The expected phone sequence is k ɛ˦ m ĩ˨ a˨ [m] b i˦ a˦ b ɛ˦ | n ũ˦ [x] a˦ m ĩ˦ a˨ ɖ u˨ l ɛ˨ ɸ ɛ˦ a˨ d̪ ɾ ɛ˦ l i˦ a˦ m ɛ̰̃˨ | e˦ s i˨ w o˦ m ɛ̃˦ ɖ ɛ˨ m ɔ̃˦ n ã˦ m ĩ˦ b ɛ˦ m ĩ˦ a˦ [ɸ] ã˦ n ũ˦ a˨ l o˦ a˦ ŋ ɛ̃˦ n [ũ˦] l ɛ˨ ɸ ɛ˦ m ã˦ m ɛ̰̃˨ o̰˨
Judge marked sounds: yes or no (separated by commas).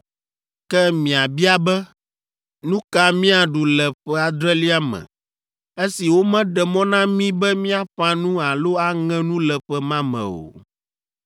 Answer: no, no, yes, yes